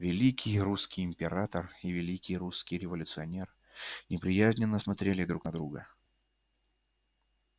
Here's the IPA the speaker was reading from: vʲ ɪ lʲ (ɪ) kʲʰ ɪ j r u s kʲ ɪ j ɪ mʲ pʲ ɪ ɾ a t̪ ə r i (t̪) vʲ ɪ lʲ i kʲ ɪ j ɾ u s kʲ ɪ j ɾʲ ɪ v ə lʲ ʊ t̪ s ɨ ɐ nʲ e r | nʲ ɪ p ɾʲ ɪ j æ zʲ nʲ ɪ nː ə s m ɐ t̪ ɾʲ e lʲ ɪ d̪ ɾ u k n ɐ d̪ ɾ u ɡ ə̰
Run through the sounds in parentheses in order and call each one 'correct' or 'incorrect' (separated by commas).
incorrect, incorrect